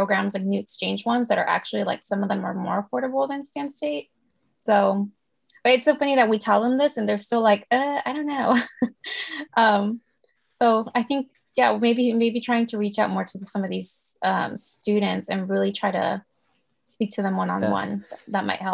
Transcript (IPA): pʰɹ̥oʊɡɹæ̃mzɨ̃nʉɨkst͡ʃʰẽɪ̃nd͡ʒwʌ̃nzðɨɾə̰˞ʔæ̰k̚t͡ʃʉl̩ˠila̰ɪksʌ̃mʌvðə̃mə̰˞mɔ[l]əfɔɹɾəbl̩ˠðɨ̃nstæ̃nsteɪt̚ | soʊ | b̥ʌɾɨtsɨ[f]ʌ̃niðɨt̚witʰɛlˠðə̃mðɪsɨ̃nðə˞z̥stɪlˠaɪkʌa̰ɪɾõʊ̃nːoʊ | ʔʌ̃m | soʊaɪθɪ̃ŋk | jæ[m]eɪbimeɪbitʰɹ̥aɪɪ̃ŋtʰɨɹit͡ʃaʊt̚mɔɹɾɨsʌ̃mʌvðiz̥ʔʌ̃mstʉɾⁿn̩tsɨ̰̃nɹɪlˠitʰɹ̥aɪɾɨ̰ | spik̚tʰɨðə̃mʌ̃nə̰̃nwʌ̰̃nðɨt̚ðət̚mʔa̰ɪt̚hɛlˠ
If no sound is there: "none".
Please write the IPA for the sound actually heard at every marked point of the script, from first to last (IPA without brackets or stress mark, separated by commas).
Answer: ɹ, f, m